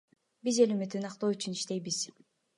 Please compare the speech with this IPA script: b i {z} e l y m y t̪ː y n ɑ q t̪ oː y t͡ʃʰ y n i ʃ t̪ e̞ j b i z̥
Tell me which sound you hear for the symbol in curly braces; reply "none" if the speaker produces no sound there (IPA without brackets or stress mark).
z